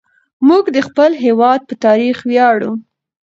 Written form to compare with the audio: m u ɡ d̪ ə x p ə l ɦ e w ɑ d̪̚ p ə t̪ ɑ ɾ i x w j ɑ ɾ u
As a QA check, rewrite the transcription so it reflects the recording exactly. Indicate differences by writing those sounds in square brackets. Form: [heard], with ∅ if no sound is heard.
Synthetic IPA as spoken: m u ɡ d̪ ə x p ə l ɦ e w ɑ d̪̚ p ə t̪ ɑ ɾ i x w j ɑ [ɽ] u